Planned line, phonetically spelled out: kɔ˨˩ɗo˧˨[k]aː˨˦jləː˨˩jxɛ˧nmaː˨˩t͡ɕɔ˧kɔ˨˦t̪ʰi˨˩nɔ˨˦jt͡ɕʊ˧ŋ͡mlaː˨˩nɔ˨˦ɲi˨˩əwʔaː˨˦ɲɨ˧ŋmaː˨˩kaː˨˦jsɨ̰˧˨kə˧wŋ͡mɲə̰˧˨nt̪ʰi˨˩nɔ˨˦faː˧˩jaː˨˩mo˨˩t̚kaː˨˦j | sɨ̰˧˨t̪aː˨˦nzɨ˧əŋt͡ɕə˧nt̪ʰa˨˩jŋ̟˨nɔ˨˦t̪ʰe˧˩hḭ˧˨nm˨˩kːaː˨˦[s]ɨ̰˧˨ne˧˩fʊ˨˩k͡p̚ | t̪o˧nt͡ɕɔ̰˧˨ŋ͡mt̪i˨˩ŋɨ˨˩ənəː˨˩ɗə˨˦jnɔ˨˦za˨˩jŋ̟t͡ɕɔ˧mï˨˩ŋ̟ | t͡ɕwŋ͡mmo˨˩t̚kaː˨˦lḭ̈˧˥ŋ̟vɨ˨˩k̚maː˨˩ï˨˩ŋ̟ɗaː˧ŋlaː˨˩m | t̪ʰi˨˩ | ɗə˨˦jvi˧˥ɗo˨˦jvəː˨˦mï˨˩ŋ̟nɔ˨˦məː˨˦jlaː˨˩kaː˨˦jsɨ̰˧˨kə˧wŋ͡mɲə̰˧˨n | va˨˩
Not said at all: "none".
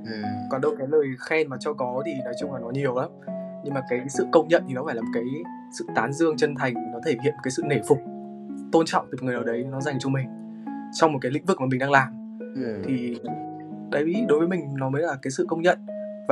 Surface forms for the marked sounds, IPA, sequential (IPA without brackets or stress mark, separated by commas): k, s